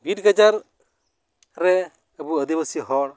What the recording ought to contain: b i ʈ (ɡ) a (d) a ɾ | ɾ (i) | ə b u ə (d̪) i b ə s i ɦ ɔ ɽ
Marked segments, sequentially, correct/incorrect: correct, incorrect: d͡ʒ, incorrect: ɛ, correct

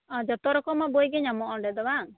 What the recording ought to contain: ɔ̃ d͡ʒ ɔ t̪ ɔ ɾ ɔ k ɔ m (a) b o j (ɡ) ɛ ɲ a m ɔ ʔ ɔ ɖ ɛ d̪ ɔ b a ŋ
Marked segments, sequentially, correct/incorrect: correct, correct

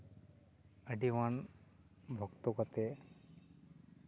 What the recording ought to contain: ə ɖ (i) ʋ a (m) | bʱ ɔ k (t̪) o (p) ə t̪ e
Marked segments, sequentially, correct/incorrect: correct, incorrect: n, correct, incorrect: k

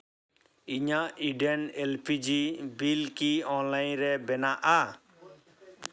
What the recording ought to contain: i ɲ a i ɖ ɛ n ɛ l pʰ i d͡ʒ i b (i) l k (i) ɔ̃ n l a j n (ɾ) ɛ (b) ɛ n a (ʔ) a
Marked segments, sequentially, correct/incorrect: correct, correct, correct, correct, correct

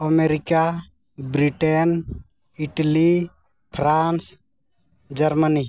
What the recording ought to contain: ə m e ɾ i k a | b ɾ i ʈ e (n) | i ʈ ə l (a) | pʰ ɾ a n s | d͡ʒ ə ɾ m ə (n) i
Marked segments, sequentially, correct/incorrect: correct, incorrect: i, correct

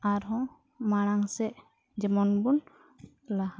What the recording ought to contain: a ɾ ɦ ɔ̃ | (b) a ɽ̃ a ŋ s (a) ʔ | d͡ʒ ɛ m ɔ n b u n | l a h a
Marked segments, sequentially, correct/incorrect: incorrect: m, incorrect: ɛ

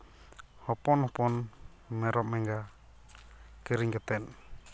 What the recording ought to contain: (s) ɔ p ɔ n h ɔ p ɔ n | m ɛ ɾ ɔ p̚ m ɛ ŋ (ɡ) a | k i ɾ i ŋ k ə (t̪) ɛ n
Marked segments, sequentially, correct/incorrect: incorrect: h, correct, correct

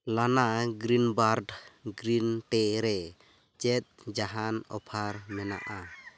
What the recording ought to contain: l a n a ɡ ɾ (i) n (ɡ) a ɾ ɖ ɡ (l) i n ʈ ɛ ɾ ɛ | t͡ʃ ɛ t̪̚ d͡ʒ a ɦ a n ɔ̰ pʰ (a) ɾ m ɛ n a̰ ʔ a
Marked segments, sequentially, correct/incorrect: correct, incorrect: b, incorrect: ɾ, correct

